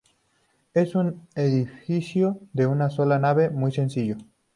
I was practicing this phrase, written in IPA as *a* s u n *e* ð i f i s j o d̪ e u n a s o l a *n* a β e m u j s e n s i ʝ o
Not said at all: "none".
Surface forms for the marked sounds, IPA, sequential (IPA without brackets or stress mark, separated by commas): e, e, n